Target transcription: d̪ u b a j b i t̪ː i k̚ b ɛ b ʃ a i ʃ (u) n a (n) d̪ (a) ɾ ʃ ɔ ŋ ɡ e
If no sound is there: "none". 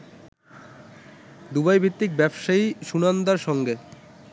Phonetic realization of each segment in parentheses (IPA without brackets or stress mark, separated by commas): u, n, a